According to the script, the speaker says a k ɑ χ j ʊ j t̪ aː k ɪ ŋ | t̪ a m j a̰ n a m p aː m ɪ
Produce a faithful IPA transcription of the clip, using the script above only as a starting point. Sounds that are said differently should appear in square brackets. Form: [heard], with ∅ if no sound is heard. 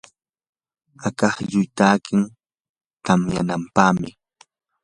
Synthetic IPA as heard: a k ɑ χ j ʊ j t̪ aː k ɪ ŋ | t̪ a m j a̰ n a m p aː m ɪ